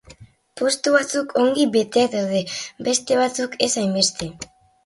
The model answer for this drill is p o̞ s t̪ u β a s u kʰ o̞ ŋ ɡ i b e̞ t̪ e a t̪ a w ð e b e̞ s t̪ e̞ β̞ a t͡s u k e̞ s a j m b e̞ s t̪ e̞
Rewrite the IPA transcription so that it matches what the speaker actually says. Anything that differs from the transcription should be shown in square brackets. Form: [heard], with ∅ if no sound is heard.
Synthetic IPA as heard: p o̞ s t̪ u β a [t͡s] u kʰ o̞ ŋ ɡ i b e̞ t̪ e a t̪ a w ð e b e̞ s t̪ e̞ β̞ a t͡s u k e̞ s a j m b e̞ s t̪ e̞

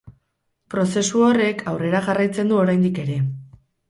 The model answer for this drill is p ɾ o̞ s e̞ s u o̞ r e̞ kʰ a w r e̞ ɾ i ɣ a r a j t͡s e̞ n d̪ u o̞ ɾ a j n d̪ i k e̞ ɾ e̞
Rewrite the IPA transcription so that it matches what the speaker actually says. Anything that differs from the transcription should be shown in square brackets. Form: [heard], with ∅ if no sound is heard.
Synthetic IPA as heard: p ɾ o̞ s e̞ s u o̞ r e̞ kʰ a w r e̞ ɾ [a] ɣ a r a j t͡s e̞ n d̪ u o̞ ɾ a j n d̪ i k e̞ ɾ e̞

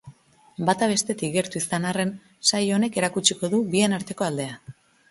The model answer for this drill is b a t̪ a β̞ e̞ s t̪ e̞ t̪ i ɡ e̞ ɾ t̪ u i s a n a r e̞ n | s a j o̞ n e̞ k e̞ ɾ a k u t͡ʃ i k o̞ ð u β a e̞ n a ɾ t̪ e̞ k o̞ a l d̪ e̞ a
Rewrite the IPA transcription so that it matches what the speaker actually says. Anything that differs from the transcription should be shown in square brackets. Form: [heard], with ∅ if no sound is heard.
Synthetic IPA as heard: b a t̪ a β̞ e̞ s t̪ e̞ t̪ i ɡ e̞ ɾ t̪ u i s a n a r e̞ n | s a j o̞ n e̞ k e̞ ɾ a k u t͡ʃ i k o̞ ð u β [i] e̞ n a ɾ t̪ e̞ k o̞ a l d̪ e̞ a

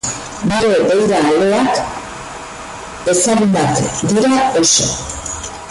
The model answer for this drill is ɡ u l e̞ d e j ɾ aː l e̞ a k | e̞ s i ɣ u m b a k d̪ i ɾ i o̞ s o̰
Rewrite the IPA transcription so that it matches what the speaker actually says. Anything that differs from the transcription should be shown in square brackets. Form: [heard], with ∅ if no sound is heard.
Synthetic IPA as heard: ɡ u [ɾ] e̞ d e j ɾ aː l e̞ a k | e̞ s [a] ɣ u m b a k d̪ i ɾ [a] o̞ s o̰

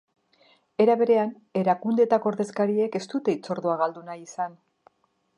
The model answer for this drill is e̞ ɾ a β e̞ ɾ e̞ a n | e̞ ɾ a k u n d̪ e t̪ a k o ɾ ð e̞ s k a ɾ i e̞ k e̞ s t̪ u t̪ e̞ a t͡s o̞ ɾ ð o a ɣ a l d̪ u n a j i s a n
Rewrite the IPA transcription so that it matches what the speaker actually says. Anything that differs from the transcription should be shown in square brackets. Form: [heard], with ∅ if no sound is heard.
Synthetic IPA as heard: e̞ ɾ a β e̞ ɾ e̞ a n | e̞ ɾ a k u n d̪ e t̪ a k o ɾ ð e̞ s k a ɾ i e̞ k e̞ s t̪ u t̪ e̞ [i] t͡s o̞ ɾ ð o a ɣ a l d̪ u n a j i s a n

